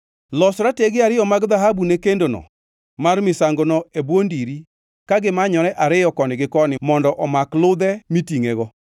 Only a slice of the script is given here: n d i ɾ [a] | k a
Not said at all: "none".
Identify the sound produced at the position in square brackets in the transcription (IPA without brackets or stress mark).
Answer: i